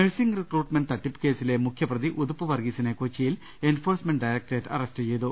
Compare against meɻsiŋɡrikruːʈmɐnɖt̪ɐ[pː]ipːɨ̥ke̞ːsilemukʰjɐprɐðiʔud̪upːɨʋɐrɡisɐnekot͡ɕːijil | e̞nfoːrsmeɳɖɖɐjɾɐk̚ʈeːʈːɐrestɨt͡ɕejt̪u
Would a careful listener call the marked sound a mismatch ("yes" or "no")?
yes